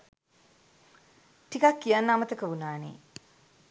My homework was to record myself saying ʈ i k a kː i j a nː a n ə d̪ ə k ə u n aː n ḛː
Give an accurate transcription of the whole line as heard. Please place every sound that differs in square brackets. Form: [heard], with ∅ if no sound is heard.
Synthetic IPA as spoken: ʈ i k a kː i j a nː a [m] ə [t̪] ə k ə u n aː n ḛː